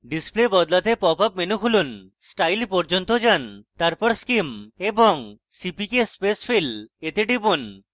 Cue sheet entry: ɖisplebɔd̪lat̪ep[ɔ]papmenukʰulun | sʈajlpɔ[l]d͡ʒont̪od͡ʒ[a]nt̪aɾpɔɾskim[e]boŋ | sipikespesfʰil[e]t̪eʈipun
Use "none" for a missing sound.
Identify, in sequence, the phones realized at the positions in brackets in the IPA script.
ɔ, ɾ, a, e, e

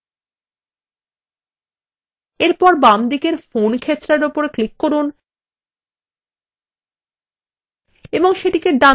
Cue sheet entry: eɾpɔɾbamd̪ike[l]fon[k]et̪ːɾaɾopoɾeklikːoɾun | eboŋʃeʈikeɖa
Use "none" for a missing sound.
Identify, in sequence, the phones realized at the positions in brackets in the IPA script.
ɾ, kʰ

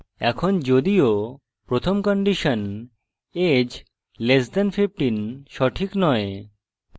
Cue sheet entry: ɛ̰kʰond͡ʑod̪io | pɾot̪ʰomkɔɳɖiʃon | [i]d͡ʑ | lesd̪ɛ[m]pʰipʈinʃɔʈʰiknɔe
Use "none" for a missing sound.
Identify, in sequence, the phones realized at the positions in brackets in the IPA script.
e, n

